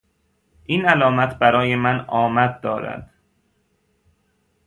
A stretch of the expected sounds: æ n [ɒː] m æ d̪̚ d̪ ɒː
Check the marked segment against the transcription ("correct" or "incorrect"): correct